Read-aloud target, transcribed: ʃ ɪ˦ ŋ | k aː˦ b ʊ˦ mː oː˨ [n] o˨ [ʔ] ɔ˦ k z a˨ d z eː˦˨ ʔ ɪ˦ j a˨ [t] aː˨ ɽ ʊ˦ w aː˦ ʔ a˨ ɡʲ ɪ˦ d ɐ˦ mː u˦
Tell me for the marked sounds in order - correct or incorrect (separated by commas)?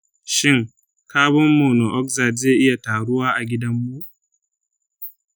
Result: correct, correct, correct